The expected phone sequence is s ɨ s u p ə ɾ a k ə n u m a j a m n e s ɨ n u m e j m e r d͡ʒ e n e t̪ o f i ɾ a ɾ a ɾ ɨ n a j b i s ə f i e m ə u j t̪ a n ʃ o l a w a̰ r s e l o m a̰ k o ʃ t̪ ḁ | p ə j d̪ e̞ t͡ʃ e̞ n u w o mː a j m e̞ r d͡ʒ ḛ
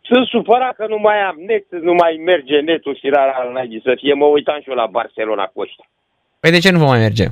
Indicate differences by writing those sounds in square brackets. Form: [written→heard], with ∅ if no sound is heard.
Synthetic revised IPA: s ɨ s u p ə ɾ a k ə n u m a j a m n e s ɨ n u m [e→a] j m e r d͡ʒ e n e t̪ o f i ɾ a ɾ a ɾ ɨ n a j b i s ə f i e m ə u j t̪ a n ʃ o l a [w→b] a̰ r s e l o [m→n] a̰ k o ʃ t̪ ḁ | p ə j d̪ e̞ t͡ʃ e̞ n u [w→v] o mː a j m e̞ r d͡ʒ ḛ